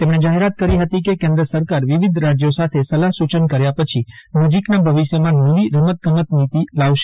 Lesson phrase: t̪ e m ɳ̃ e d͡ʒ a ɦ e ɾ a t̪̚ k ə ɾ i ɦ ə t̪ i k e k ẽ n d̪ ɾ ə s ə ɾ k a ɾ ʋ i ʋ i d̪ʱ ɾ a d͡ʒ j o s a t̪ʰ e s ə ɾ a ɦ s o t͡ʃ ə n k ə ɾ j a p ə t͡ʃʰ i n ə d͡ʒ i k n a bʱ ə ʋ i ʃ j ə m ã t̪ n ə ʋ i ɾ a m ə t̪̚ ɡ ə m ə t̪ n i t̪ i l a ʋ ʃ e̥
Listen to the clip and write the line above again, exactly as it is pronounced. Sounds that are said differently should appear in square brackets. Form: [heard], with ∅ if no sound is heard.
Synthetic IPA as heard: t̪ e m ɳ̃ e d͡ʒ a ɦ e ɾ a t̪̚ k ə ɾ i ɦ ə t̪ i k e k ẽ n d̪ ɾ ə s ə ɾ k a ɾ ʋ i ʋ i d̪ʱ ɾ a d͡ʒ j o s a t̪ʰ e s ə [l] a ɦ s [u] t͡ʃ ə n k ə ɾ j a p ə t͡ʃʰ i n ə d͡ʒ i k n a bʱ ə ʋ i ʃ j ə m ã [∅] n ə ʋ i ɾ [ə] m ə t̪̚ ɡ ə m ə t̪ n i t̪ i l a ʋ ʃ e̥